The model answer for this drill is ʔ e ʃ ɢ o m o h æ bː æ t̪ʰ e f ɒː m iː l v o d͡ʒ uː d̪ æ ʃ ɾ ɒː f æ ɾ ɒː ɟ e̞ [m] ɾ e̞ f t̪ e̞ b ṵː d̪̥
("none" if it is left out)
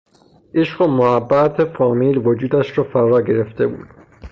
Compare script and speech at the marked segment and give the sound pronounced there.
none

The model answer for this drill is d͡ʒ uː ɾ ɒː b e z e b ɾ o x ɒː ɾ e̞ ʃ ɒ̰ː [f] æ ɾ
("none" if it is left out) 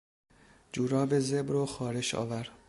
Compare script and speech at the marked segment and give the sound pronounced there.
v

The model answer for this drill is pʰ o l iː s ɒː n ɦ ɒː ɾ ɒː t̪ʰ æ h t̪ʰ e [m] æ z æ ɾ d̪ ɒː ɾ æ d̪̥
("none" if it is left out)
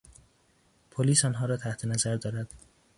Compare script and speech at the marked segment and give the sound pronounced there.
n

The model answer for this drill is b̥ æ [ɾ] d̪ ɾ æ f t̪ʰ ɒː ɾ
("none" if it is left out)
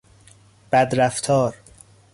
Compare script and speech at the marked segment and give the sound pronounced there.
none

